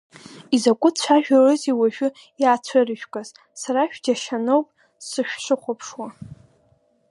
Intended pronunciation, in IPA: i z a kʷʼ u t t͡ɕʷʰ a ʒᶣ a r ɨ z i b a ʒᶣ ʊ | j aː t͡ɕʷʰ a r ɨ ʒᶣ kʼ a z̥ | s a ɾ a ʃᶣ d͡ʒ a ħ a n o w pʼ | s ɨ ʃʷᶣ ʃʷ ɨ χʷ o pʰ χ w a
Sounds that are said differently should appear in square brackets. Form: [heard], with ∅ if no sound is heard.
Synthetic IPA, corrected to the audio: i z a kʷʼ [ʊ] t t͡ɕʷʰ a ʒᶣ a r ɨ z i [w] a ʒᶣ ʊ | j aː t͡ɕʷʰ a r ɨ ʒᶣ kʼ a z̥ | s a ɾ a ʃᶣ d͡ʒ a [ʃ] a n o w pʼ | s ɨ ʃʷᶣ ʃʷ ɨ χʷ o pʰ [ʂ] w a

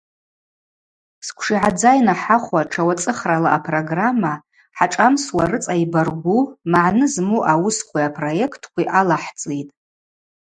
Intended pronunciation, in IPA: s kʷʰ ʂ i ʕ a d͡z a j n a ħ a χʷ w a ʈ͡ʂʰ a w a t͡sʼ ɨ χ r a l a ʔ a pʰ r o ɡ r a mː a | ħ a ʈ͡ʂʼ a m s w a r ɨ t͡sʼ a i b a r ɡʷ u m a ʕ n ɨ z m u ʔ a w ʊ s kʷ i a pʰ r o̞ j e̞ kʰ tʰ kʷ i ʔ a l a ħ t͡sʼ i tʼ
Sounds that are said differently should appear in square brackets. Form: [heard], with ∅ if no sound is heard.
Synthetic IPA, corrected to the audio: s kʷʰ ʂ i ʕ a d͡z a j n a ħ a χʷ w a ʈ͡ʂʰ a w a t͡sʼ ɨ χ r a l a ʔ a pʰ r o ɡ r a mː a | ħ a ʈ͡ʂʼ a m s w a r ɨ t͡sʼ a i b a r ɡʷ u m a ʕ n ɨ z m u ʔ a w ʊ s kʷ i a pʰ r o̞ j e̞ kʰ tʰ kʷ i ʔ a l a ħ t͡sʼ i tʼ

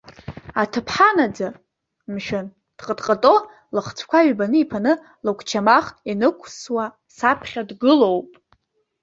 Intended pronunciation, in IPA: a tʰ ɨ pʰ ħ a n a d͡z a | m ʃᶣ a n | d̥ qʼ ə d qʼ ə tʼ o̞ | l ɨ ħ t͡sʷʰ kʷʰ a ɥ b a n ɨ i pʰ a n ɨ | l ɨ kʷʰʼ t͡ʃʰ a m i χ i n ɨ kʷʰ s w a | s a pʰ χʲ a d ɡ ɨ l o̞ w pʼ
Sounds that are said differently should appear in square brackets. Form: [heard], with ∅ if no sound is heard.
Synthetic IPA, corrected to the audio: a tʰ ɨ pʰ ħ a n a d͡z a | m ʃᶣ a n | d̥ qʼ ə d qʼ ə tʼ o̞ | l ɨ [χ] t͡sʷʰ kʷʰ a ɥ b a n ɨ i pʰ a n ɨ | l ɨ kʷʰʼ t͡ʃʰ a m [a] χ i n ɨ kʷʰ s w a | s a pʰ χʲ a d ɡ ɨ l o̞ w pʼ

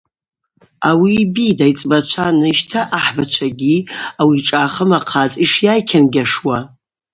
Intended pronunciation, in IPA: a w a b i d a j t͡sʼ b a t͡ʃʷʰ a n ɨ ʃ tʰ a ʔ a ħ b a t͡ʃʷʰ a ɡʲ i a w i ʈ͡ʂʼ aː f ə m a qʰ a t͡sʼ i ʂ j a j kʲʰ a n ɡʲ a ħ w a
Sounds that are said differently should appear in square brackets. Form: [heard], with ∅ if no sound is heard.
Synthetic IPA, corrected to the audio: a w [i] b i d a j t͡sʼ b a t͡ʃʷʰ a n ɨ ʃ tʰ a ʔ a ħ b a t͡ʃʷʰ a ɡʲ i a w i ʈ͡ʂʼ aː [χ] ə m a qʰ a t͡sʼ i ʂ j a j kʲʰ a n ɡʲ a [ʂ] w a

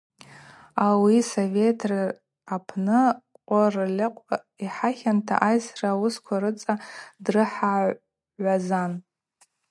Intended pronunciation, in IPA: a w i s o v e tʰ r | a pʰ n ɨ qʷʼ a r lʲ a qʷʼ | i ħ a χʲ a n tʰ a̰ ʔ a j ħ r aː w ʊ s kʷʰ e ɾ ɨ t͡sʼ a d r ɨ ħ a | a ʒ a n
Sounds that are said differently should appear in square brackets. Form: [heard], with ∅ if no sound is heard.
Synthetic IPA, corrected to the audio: a w i s o v e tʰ r | a pʰ n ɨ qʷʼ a r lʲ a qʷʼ | i ħ a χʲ a n tʰ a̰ ʔ a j [s] r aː w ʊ s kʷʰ [a] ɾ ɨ t͡sʼ a d r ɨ ħ a | a [z] a n

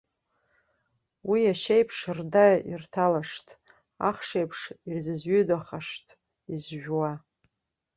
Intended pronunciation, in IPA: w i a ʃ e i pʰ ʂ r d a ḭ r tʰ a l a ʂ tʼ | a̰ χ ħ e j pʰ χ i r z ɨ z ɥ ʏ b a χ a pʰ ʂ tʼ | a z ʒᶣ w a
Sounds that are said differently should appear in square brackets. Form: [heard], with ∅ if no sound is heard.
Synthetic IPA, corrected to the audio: w i a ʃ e [j] pʰ ʂ r d a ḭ r tʰ a l a ʂ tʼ | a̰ χ [ʂ] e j pʰ [ʂ] i r z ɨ z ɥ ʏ [d] a χ a [∅] ʂ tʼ | [i] z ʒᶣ w a

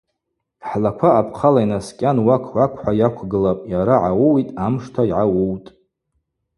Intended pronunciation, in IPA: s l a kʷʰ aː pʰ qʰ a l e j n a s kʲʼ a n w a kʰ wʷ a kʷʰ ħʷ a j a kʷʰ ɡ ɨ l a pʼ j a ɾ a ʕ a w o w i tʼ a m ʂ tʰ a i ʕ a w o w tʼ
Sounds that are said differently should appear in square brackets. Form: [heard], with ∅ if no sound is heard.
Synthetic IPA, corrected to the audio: [ħ] l a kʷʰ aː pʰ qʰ a l [a] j n a s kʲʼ a n w a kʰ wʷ a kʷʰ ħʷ a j a kʷʰ ɡ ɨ l a pʼ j a ɾ a ʕ a w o w i tʼ a m ʂ tʰ a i ʕ a w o w tʼ

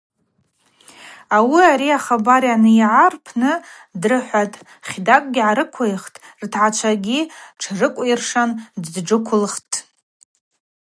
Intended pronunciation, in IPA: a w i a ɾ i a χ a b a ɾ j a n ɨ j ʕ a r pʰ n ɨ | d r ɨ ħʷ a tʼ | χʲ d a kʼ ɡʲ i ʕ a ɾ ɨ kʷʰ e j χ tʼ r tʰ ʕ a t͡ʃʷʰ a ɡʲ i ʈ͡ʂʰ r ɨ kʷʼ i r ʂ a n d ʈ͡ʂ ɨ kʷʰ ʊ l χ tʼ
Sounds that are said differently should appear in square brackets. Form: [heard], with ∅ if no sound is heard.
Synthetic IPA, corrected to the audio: a w i a ɾ i a χ a b a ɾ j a n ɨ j ʕ a r pʰ n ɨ | d r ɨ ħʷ a tʼ | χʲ d a kʼ ɡʲ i ʕ a ɾ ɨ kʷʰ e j χ tʼ r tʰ ʕ a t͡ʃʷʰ a ɡʲ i ʈ͡ʂʰ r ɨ kʷʼ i r ʂ a n d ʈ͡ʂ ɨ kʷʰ ʊ l χ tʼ

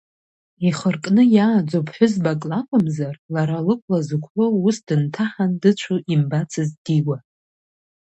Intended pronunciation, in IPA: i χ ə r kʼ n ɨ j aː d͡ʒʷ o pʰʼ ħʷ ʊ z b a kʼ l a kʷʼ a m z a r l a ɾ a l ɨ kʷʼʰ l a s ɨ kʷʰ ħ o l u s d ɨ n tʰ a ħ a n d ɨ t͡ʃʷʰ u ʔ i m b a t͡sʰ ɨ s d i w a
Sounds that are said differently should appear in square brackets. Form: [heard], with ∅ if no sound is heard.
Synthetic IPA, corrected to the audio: i χ ə r kʼ n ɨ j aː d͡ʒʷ o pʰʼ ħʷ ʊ z b a kʼ l a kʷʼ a m z a r l a ɾ a l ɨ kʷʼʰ l a [z] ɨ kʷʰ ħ o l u s d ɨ n tʰ a ħ a n d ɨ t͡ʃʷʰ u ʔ i m b a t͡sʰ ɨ [z] d i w a

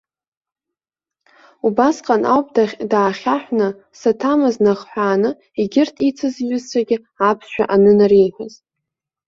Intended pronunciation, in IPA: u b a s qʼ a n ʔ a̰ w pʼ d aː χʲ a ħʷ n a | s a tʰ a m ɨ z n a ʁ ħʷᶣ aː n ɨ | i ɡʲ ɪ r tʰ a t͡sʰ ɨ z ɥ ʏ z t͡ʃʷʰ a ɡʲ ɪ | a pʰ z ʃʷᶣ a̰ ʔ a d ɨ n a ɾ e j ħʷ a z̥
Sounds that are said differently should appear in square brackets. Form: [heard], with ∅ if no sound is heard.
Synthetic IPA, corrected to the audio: u b a s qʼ a n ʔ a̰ w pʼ d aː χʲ a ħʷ n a | s a tʰ a m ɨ z n a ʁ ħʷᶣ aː n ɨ | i ɡʲ ɪ r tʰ [i] t͡sʰ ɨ z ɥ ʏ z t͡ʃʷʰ a ɡʲ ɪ | a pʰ [s] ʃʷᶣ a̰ ʔ a [n] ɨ n a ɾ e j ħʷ a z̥

